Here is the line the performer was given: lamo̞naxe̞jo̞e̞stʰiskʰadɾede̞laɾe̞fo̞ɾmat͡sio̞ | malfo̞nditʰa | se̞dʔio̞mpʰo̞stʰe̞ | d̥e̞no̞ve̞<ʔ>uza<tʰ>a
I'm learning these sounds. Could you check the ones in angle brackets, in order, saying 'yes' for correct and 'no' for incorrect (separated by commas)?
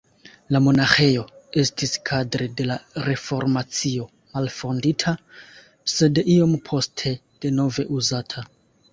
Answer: yes, yes